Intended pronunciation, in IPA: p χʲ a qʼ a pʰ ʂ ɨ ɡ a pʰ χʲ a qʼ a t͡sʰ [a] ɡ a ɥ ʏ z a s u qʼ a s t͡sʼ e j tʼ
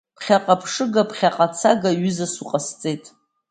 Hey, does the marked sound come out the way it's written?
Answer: yes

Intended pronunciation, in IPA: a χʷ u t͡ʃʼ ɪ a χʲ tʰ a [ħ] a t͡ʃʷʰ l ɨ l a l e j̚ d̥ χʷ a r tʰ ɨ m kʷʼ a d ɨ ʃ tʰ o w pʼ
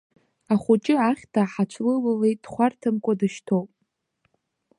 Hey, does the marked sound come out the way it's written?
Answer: yes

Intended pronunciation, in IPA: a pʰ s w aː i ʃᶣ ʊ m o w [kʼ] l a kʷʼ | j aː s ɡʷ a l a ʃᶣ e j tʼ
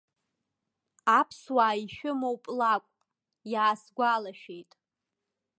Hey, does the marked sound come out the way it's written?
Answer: no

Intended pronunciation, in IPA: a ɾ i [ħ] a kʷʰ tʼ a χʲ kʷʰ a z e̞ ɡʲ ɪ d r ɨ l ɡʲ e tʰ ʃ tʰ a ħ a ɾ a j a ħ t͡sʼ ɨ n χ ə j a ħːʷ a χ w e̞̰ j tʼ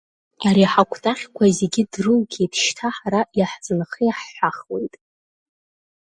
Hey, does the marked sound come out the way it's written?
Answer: yes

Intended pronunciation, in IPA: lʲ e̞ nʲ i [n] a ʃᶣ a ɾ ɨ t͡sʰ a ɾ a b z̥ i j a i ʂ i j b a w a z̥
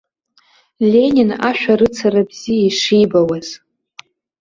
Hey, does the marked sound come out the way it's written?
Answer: yes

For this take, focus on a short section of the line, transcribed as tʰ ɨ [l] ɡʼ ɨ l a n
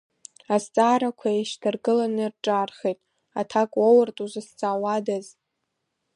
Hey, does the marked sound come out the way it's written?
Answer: no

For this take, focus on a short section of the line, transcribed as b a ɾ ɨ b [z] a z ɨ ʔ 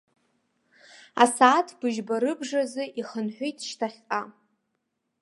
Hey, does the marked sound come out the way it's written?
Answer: no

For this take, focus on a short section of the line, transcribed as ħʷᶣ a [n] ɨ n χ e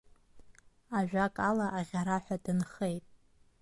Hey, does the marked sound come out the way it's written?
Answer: no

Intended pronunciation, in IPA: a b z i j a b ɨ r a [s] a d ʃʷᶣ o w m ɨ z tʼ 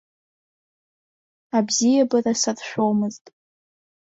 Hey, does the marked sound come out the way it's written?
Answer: yes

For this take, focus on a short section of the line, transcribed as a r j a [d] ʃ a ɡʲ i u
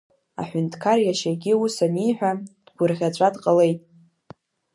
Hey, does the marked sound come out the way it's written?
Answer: no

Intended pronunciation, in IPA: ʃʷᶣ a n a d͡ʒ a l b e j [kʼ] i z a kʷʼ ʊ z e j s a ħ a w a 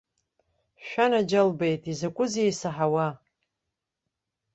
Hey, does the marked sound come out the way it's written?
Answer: no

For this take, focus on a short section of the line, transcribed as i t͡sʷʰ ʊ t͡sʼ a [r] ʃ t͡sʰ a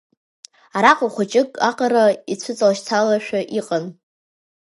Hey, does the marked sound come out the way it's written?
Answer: no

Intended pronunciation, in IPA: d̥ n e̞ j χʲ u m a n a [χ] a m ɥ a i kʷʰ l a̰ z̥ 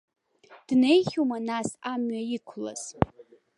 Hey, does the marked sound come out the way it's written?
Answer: no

